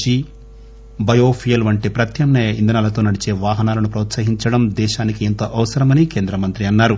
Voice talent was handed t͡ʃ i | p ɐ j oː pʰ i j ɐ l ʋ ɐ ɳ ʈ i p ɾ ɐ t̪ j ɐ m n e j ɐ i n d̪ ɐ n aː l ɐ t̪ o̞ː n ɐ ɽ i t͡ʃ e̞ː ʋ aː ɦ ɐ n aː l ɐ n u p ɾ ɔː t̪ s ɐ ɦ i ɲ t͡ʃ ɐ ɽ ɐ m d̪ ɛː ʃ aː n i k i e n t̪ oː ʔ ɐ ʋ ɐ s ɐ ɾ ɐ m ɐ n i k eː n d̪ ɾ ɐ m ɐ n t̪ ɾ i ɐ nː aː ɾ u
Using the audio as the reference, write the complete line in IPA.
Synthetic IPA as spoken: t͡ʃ i | b ɐ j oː pʰ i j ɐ l ʋ ɐ ɳ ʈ i p ɾ ɐ t̪ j ɐ m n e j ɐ i n d̪ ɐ n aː l ɐ t̪ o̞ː n ɐ ɽ i t͡ʃ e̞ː ʋ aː ɦ ɐ n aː l ɐ n u p ɾ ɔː t̪ s ɐ ɦ i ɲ t͡ʃ ɐ ɽ ɐ m d̪ ɛː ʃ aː n i k i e n t̪ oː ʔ ɐ ʋ ɐ s ɐ ɾ ɐ m ɐ n i k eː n d̪ ɾ ɐ m ɐ n t̪ ɾ i ɐ nː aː ɾ u